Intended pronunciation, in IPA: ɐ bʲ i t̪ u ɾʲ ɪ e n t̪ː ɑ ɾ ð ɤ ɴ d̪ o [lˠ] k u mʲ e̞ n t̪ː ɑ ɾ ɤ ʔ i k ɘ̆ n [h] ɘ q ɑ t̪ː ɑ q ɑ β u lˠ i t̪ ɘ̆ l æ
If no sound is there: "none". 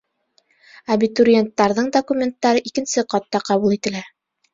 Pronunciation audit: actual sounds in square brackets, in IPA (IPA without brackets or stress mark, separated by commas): none, s